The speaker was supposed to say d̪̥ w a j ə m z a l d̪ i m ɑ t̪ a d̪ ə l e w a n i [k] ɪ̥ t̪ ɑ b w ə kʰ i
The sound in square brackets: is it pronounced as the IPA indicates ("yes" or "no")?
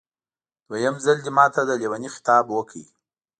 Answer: no